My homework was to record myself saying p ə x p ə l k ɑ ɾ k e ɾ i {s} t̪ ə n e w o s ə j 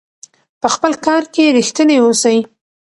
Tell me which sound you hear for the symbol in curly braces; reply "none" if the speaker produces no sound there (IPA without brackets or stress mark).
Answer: x